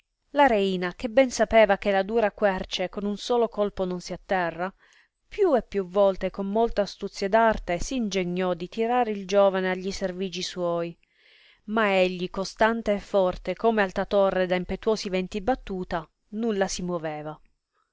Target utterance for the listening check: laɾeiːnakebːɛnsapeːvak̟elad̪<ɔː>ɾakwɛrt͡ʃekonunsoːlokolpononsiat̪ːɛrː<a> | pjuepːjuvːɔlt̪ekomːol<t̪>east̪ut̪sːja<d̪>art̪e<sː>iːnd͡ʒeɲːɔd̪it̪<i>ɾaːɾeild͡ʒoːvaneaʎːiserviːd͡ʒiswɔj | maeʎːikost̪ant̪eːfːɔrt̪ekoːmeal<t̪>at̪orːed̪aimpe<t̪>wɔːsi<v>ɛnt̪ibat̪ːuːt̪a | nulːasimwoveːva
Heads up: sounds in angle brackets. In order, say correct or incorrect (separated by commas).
incorrect, correct, correct, correct, incorrect, correct, correct, correct, correct